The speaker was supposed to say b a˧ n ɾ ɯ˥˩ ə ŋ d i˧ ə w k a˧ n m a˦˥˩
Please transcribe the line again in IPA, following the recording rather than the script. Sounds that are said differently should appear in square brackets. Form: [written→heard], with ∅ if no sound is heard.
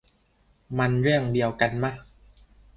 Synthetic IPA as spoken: [b→m] a˧ n ɾ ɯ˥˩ ə ŋ d i˧ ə w k a˧ n m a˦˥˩

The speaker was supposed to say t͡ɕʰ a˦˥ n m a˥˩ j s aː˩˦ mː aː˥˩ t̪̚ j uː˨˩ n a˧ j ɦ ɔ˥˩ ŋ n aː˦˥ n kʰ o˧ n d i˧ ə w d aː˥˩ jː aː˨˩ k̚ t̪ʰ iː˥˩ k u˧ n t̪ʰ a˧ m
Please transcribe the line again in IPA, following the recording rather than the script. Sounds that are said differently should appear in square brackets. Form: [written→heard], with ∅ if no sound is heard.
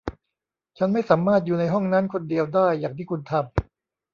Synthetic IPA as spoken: t͡ɕʰ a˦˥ n m a˥˩ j s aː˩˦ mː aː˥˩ t̪̚ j uː˨˩ n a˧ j ɦ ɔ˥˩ ŋ n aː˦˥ n kʰ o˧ n d i˧ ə w d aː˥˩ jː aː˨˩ k̚ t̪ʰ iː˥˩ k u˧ n t̪ʰ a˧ m

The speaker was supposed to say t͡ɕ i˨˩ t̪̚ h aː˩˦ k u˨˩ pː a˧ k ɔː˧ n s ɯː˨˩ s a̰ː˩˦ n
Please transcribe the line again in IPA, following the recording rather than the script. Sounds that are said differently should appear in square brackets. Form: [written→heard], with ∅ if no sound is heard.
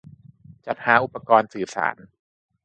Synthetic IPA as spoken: t͡ɕ [i˨˩→a˨˩] t̪̚ h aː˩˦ [k→ʔ] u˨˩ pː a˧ k ɔː˧ n s ɯː˨˩ s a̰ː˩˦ n

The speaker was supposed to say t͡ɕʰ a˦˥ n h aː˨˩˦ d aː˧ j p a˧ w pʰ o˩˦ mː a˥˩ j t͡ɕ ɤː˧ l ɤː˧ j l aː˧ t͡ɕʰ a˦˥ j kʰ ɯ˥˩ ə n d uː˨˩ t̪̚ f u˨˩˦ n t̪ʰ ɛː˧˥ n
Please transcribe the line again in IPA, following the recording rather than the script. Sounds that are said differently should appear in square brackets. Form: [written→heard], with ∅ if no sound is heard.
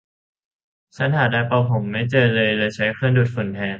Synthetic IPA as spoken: t͡ɕʰ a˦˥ n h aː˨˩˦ d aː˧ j p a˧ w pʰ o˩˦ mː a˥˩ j t͡ɕ ɤː˧ l ɤː˧ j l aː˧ t͡ɕʰ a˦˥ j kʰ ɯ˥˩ ə n d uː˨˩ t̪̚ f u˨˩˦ n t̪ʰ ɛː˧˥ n

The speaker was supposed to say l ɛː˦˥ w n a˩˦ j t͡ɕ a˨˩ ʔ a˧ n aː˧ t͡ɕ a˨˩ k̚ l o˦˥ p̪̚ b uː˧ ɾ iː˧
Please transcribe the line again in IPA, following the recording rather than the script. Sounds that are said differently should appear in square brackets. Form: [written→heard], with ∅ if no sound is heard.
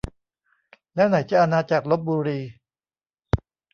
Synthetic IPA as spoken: l ɛː˦˥ w n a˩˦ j t͡ɕ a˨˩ ʔ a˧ n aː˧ t͡ɕ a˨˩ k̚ l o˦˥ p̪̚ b uː˧ ɾ iː˧

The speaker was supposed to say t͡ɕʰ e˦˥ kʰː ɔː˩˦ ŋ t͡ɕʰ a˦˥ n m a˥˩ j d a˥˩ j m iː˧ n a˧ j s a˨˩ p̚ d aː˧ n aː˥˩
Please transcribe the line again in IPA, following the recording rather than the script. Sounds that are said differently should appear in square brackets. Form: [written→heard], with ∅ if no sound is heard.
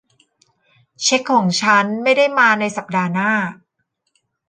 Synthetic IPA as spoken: t͡ɕʰ e˦˥ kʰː ɔː˩˦ ŋ t͡ɕʰ a˦˥ n m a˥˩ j d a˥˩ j m [iː˧→aː˧] n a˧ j s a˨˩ p̚ d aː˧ n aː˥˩

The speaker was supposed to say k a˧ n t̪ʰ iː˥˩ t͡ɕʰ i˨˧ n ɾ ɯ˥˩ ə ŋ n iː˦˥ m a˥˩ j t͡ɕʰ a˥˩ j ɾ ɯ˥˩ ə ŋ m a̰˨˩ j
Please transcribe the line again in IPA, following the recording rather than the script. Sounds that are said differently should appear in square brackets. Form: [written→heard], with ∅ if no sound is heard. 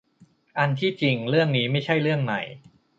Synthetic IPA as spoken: [k→ʔ] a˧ n t̪ʰ iː˥˩ [t͡ɕʰ→t͡ɕ] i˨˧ [n→ŋ] ɾ ɯ˥˩ ə ŋ n iː˦˥ m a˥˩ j t͡ɕʰ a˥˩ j ɾ ɯ˥˩ ə ŋ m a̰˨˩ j

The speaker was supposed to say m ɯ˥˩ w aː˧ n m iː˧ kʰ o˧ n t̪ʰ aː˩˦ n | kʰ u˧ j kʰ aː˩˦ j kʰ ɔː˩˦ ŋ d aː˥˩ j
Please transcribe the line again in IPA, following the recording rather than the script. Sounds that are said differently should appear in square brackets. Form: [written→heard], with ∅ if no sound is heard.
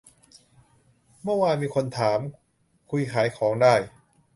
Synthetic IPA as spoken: m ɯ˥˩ w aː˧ n m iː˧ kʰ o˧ n t̪ʰ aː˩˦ [n→m] | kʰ u˧ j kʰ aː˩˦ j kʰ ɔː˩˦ ŋ d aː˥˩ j

